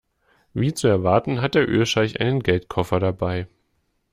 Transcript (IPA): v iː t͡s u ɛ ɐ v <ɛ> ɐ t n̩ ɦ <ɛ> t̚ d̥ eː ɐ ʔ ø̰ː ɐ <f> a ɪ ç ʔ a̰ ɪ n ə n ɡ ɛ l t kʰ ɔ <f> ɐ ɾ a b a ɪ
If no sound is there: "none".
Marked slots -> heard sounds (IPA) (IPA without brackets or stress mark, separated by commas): a, a, ʃ, f